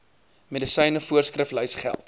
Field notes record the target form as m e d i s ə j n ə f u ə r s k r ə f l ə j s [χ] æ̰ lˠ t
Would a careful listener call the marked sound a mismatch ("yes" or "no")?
no